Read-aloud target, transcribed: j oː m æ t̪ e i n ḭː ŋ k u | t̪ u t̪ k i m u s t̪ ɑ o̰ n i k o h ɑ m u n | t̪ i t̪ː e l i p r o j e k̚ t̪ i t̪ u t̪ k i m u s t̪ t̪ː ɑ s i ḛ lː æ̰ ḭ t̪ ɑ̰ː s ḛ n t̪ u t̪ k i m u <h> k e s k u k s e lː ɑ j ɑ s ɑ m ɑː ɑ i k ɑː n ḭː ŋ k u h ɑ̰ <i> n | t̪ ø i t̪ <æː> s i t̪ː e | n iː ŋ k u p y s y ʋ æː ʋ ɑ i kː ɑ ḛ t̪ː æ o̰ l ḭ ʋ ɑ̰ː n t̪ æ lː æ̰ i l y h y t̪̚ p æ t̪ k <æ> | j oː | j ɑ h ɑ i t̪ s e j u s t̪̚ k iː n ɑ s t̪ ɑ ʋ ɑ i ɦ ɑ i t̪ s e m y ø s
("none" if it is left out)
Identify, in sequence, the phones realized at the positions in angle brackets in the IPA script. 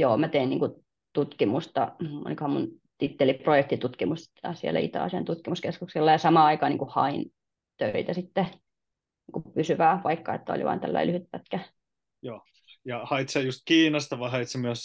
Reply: s, i, æ, æ

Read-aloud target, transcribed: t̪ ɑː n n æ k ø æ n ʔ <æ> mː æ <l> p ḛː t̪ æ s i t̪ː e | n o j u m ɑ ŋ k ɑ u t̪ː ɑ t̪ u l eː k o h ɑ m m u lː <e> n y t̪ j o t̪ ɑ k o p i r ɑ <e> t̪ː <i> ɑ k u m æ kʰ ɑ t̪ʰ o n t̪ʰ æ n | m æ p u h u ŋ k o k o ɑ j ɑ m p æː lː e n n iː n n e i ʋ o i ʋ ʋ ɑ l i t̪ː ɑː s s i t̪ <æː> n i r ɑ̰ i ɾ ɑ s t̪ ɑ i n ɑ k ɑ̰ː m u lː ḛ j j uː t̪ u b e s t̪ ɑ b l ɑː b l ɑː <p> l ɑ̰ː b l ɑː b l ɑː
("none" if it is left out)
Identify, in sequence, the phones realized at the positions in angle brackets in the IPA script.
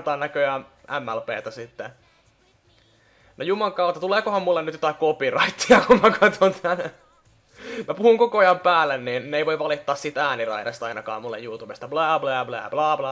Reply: æ, l, e, i, i, æː, b

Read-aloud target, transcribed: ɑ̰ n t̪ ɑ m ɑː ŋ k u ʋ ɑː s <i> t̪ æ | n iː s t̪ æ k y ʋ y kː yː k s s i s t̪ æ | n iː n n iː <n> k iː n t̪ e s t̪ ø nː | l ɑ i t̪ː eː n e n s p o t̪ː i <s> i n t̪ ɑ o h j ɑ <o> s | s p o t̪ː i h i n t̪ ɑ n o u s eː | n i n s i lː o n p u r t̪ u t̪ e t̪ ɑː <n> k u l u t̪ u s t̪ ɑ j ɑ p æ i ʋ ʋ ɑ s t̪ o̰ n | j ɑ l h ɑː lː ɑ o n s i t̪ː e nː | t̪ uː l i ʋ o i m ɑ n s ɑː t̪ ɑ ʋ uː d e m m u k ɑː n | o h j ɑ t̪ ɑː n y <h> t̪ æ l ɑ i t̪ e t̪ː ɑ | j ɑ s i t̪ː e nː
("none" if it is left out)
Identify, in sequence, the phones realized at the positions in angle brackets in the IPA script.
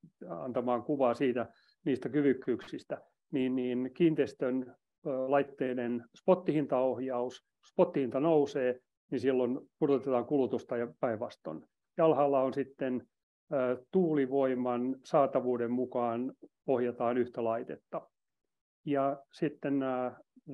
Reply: iː, n, h, u, ŋ, h

